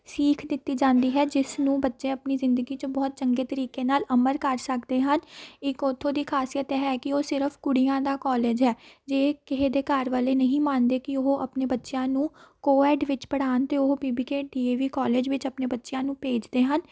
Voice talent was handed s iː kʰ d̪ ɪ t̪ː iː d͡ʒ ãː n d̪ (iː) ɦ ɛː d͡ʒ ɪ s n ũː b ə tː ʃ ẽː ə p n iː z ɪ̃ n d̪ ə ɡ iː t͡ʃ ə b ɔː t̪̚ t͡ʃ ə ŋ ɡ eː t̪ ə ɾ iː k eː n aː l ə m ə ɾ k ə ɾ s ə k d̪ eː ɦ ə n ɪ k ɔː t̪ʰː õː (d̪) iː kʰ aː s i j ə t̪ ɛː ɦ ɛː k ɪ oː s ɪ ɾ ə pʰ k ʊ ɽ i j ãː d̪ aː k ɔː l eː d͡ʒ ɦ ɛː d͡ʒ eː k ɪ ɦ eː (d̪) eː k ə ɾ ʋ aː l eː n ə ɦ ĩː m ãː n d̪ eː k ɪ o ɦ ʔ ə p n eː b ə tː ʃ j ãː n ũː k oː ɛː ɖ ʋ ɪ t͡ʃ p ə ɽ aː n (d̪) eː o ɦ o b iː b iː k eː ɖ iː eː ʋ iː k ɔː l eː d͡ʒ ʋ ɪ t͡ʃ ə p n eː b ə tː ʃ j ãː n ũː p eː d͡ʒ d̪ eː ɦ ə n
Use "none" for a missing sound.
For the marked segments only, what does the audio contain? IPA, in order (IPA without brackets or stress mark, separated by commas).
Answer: iː, d̪, d̪, t̪